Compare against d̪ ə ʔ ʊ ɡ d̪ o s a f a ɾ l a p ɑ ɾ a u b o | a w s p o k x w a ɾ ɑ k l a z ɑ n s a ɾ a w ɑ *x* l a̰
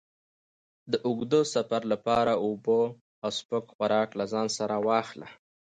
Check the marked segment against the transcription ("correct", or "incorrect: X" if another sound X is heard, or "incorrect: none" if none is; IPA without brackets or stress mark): correct